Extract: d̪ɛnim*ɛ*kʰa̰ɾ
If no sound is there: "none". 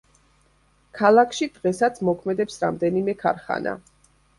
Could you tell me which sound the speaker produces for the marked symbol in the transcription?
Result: ɛ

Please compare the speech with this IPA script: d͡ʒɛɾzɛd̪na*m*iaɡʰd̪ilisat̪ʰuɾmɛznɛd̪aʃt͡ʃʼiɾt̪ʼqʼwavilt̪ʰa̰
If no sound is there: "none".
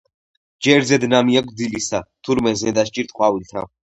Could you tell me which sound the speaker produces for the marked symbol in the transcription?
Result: m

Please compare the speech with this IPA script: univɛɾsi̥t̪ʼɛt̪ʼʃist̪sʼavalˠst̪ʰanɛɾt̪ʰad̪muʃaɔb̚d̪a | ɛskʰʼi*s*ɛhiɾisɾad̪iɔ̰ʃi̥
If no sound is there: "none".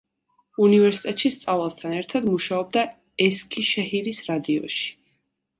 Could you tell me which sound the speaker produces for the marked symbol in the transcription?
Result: ʃ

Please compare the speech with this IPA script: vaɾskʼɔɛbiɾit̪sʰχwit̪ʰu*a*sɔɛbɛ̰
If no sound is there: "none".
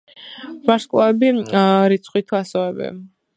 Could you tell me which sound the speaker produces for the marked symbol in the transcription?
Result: a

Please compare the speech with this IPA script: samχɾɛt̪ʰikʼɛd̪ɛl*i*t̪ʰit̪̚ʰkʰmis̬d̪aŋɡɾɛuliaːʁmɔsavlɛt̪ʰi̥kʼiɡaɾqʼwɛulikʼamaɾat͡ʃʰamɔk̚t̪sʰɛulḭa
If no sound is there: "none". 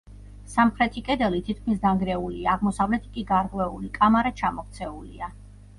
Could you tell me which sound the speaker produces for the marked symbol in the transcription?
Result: i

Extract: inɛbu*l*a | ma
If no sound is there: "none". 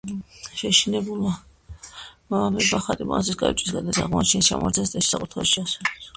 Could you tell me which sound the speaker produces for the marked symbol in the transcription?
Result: l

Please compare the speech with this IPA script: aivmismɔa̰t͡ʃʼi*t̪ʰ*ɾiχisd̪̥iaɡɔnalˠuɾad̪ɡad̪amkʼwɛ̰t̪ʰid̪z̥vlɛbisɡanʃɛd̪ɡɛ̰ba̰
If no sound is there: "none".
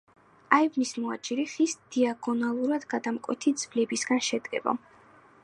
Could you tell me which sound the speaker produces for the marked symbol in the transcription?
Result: none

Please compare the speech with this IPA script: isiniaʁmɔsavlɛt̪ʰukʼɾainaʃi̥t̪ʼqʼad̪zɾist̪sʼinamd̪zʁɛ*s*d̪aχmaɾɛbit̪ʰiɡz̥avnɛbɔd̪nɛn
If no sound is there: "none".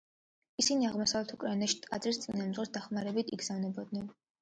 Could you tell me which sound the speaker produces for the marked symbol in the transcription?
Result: s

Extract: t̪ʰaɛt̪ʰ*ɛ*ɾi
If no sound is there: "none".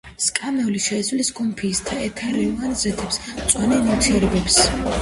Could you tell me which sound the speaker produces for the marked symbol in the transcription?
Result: a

